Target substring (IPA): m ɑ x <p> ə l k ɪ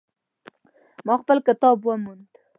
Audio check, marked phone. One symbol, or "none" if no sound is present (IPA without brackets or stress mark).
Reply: p